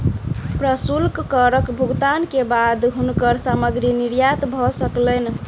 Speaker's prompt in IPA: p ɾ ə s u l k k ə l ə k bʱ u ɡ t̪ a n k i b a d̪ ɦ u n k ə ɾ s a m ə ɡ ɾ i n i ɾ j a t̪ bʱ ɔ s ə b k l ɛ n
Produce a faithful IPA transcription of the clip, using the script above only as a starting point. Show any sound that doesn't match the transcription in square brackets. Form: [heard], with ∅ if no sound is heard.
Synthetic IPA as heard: p ɾ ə s u l k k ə [ɾ] ə k bʱ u ɡ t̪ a n k [e] b a d̪ ɦ u n k ə ɾ s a m ə ɡ ɾ i n i ɾ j a t̪ bʱ ɔ s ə [∅] k l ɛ n